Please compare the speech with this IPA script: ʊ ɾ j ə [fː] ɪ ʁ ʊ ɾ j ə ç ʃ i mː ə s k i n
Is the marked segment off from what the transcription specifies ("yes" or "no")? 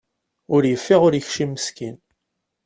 no